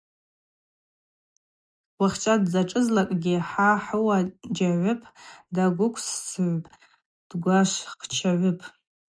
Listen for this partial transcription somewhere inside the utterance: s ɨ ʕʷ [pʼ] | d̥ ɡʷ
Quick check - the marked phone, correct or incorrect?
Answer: correct